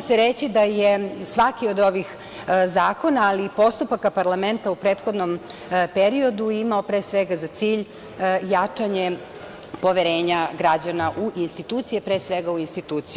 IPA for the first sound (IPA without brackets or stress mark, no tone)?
s